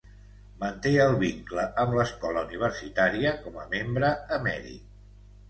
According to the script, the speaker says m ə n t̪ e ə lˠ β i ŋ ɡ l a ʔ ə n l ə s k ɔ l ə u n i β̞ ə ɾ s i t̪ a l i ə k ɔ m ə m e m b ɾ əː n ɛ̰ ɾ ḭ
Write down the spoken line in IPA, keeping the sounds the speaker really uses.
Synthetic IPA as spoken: m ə n t̪ e ə lˠ β i ŋ k l ə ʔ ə m l ə s k ɔ l ə u n i β̞ ə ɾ s i t̪ a ɾ i ə k ɔ m ə m e m b ɾ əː m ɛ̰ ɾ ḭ